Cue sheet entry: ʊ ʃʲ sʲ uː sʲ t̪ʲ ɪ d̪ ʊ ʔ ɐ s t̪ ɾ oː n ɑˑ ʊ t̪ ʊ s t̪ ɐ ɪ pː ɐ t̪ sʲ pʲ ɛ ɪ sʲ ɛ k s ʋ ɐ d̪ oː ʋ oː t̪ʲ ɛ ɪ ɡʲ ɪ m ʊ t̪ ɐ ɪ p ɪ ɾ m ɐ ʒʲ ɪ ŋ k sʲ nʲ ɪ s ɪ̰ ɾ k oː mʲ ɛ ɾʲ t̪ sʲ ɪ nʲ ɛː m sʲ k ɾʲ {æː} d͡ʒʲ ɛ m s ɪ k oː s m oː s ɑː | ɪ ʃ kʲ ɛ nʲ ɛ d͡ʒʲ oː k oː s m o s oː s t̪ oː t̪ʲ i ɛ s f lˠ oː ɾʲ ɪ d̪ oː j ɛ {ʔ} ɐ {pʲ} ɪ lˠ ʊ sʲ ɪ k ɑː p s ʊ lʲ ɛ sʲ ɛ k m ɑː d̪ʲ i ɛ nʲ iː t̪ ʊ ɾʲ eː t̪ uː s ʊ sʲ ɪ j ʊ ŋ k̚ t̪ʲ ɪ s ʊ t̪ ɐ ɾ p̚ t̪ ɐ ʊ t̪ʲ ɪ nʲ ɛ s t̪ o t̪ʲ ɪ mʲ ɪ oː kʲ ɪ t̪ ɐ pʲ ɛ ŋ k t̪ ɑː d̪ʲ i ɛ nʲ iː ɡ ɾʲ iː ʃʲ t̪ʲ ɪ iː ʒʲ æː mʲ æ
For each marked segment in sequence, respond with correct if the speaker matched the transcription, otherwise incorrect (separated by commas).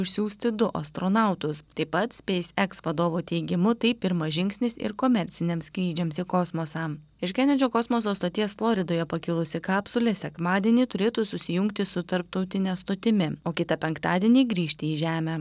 incorrect, incorrect, incorrect